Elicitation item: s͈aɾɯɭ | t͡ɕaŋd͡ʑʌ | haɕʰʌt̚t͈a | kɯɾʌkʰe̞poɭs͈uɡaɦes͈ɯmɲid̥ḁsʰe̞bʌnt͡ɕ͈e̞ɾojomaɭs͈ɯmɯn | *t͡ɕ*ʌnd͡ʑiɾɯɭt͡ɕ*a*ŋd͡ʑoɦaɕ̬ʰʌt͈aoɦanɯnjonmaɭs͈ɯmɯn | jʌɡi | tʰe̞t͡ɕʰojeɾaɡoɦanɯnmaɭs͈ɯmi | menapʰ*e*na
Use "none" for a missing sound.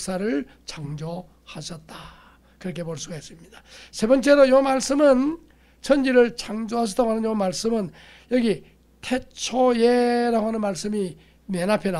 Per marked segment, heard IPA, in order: t͡ɕʰ, a, e

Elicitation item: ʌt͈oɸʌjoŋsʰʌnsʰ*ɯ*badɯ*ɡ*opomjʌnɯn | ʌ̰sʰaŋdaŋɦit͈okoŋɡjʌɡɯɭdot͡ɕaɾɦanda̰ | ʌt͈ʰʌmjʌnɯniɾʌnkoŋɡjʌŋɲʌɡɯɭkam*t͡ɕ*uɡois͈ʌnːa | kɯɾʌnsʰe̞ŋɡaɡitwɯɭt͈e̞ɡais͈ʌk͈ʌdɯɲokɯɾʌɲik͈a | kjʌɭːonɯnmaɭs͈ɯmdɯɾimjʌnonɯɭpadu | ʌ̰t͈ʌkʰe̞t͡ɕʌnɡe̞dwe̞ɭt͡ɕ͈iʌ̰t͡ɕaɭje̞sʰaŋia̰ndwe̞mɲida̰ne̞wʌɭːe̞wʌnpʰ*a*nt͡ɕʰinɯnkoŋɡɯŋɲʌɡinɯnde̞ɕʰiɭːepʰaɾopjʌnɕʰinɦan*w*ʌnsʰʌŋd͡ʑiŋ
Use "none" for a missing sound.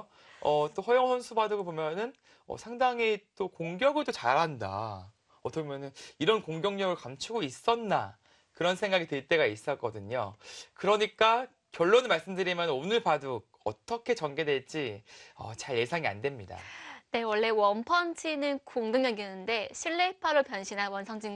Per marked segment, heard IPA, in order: u, ɡ, t͡ɕʰ, ʌ, w

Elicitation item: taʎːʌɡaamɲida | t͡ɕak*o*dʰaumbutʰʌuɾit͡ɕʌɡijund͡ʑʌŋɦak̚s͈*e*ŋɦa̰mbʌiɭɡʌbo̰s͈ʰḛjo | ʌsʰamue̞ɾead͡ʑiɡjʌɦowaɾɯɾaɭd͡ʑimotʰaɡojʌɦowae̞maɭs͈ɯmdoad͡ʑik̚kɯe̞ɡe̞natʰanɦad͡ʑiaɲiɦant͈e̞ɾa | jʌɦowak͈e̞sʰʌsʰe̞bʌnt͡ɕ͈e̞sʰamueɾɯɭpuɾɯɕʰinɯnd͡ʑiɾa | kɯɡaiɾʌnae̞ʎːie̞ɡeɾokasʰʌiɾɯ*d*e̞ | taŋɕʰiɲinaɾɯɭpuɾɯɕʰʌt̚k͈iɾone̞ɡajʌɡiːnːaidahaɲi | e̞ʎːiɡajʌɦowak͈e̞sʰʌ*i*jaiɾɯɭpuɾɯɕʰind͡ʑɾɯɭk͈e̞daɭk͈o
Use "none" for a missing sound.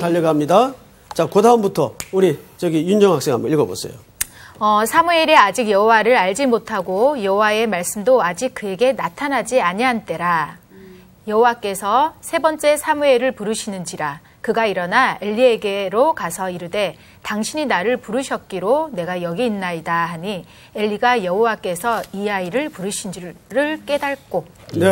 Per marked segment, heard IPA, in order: o, e, d, i

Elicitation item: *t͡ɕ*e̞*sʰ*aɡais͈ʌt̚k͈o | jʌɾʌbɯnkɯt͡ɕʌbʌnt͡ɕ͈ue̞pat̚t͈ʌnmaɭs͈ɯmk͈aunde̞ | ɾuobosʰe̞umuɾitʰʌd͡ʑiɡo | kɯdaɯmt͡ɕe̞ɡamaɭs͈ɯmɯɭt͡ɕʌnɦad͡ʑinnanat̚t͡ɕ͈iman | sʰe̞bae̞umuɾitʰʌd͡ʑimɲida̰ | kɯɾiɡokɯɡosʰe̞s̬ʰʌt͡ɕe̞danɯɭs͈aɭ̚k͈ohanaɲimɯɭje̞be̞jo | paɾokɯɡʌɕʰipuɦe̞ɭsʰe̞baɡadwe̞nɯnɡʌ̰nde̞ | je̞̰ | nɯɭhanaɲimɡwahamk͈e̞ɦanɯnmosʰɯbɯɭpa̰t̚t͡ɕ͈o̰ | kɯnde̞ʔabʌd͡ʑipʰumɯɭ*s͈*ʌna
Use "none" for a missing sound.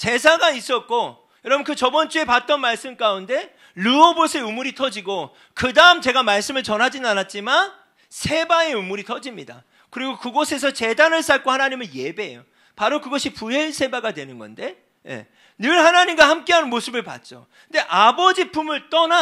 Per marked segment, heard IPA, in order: t͡ɕ, sʰ, t͈

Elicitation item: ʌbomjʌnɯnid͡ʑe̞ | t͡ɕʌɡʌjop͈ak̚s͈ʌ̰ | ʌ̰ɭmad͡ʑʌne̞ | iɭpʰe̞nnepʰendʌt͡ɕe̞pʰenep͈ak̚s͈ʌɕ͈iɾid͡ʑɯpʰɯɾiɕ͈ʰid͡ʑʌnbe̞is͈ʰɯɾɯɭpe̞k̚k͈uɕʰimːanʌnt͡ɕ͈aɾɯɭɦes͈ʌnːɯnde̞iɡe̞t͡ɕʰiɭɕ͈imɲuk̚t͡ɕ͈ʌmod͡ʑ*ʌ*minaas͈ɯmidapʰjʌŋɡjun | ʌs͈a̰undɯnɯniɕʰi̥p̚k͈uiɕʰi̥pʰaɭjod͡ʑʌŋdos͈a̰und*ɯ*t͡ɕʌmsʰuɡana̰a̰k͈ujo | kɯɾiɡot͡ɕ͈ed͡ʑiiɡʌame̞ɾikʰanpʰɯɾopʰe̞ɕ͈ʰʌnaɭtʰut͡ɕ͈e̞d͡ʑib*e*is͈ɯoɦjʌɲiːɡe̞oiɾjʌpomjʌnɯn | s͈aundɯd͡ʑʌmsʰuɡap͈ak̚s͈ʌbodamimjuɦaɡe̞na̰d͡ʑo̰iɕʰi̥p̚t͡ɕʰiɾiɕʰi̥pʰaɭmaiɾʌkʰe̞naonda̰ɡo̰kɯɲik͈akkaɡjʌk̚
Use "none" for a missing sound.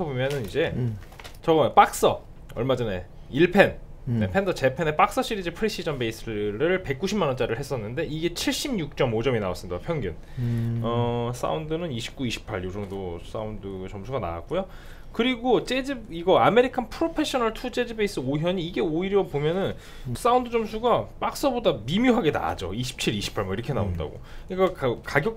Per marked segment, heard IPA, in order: ʌ, ɯ, e

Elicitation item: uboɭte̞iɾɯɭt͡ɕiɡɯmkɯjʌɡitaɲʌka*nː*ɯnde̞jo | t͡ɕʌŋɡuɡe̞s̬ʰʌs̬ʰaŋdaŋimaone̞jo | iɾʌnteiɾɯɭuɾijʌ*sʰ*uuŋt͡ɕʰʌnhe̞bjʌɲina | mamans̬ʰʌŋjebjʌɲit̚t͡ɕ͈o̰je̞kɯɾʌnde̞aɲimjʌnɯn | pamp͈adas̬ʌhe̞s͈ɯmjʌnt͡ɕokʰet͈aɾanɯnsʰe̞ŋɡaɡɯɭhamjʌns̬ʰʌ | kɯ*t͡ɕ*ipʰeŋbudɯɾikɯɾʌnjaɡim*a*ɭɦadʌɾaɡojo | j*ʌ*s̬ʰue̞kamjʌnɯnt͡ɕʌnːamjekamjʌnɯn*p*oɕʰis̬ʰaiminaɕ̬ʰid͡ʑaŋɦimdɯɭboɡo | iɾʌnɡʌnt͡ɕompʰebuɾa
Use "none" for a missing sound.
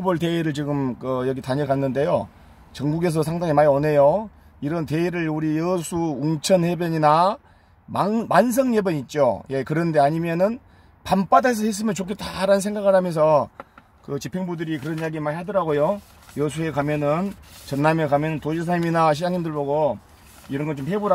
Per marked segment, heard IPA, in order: nː, sʰ, t͡ɕ, a, ʌ, t

